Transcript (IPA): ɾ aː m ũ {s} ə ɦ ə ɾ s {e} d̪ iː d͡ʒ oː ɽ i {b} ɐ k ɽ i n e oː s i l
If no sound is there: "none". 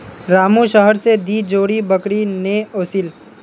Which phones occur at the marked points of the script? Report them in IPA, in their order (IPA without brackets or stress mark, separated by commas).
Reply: ʃ, e, b